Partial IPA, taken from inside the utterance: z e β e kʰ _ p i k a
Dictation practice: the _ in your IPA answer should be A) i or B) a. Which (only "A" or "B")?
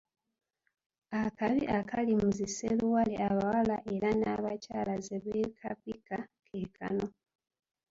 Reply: B